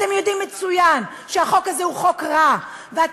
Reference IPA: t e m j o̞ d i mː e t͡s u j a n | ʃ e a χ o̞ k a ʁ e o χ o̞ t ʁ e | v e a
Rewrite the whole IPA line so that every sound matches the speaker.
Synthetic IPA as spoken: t e m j o̞ d i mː e t͡s u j a n | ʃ e a χ o̞ k a z e u χ o̞ k ʁ a | v e a